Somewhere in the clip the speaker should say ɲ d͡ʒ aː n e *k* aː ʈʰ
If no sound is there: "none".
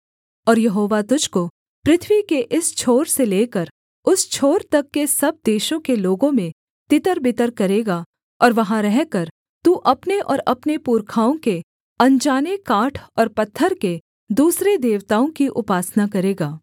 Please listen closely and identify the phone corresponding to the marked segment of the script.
k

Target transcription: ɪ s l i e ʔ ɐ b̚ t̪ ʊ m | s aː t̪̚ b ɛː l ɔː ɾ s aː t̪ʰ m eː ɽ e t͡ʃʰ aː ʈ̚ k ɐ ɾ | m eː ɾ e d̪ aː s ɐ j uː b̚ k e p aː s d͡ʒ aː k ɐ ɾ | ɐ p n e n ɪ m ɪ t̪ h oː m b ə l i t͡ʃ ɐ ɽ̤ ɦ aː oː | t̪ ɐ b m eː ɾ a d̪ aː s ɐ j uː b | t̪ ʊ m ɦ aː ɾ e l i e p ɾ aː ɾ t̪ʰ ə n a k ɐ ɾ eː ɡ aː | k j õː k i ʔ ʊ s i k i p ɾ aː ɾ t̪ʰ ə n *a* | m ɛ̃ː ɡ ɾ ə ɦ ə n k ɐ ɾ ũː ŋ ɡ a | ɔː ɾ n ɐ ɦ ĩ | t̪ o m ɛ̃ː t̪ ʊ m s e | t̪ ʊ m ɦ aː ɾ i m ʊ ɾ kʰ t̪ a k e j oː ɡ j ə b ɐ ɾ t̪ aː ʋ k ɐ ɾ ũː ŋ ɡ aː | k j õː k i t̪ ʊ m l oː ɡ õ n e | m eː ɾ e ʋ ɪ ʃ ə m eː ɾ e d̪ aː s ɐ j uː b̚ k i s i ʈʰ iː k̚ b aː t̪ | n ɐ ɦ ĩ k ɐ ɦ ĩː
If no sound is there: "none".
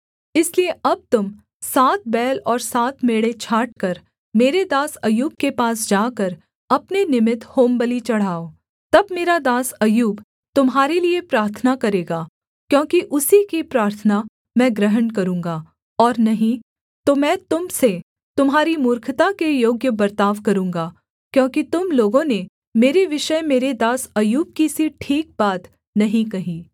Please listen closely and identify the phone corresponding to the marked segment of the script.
a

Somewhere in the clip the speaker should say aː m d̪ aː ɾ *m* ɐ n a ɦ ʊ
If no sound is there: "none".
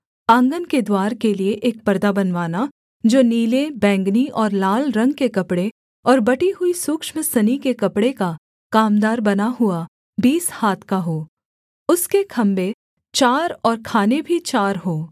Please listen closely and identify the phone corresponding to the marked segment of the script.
b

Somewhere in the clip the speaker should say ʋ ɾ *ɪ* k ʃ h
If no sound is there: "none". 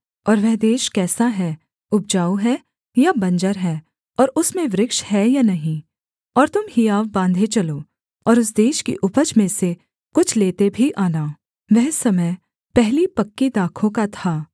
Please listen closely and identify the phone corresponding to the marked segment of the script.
ɪ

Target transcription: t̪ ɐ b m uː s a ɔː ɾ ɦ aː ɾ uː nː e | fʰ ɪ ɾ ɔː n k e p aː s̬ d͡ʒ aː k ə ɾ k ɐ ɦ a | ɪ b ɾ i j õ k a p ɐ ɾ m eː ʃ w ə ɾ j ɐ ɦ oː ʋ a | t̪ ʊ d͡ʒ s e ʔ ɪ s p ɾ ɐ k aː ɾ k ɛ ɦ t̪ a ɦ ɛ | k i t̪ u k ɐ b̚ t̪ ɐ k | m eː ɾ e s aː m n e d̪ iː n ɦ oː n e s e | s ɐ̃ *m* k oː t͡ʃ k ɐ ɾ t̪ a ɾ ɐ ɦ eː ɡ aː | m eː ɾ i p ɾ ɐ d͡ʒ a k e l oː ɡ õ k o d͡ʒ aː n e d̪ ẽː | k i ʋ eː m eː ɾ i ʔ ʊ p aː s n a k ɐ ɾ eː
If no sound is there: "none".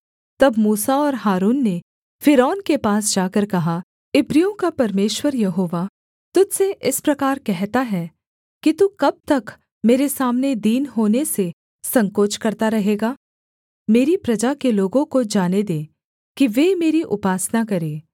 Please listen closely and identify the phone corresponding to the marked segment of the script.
ŋ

